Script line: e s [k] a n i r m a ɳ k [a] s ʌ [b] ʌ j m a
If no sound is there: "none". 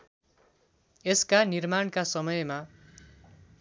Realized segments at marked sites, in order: k, a, m

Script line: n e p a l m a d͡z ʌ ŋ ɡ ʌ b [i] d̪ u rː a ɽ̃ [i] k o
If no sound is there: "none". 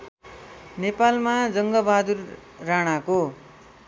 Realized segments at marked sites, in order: a, a

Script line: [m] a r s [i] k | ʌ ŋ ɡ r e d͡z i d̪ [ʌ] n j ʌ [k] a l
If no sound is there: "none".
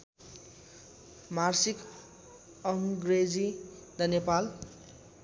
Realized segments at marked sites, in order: m, i, ʌ, p

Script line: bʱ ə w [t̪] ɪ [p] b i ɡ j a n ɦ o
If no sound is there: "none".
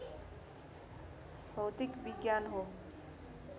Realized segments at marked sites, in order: t̪, k

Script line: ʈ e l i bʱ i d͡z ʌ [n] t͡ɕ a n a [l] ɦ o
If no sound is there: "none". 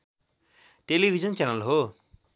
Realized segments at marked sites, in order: n, l

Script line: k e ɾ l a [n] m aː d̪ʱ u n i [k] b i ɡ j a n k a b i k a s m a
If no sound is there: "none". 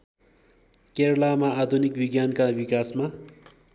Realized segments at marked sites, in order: none, k

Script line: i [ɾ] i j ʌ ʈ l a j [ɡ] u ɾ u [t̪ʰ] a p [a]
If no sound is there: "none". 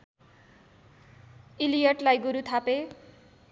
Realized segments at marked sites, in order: l, ɡ, t̪ʰ, e

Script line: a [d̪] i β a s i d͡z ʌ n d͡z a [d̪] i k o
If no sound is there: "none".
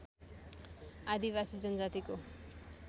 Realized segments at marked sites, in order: d̪, t̪

